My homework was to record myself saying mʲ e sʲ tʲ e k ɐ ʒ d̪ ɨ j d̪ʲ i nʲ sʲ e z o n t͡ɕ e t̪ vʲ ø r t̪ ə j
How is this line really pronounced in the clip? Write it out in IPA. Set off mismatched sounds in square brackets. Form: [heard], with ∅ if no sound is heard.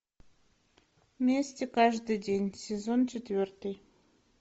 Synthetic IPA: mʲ e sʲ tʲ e k [ɑ] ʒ d̪ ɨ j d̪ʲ [e] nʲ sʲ e z o n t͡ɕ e t̪ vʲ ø r t̪ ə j